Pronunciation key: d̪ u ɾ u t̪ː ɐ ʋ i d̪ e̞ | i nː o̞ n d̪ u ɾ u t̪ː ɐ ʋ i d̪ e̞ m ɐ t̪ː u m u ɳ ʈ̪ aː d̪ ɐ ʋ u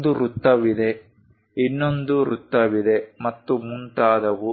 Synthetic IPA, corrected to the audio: d̪ u ɾ u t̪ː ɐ ʋ i d̪ e̞ | i nː o̞ n d̪ u ɾ u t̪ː ɐ ʋ i d̪ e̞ m ɐ t̪ː u m u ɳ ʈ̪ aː d̪ ɐ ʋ u